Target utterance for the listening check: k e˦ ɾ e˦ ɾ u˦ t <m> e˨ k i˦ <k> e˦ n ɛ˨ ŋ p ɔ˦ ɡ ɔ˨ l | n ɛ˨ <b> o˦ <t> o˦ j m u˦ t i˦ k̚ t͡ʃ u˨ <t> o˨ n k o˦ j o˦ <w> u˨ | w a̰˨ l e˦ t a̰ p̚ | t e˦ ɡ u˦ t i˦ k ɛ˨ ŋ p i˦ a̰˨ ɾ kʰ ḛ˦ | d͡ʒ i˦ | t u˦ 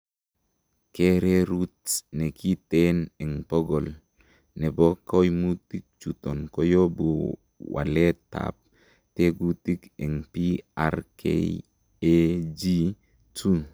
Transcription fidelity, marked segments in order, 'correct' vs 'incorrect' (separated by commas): incorrect, incorrect, correct, incorrect, correct, incorrect